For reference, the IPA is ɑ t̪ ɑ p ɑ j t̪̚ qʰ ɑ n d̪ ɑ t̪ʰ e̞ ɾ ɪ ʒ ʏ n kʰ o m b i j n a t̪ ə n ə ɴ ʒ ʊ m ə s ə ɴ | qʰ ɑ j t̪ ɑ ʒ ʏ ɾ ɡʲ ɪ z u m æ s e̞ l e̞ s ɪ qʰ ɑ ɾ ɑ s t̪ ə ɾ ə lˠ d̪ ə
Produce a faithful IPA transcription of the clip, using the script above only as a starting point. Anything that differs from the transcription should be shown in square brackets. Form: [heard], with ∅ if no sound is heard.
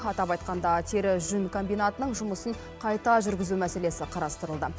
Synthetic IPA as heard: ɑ t̪ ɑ p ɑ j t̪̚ [q] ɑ n d̪ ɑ t̪ʰ e̞ ɾ ɪ ʒ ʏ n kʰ o m b i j n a t̪ ə n ə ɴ ʒ ʊ m ə s ə ɴ | qʰ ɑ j t̪ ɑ ʒ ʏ ɾ ɡʲ ɪ z u m æ s e̞ l e̞ s ɪ qʰ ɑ ɾ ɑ s t̪ ə ɾ ə lˠ d̪ ə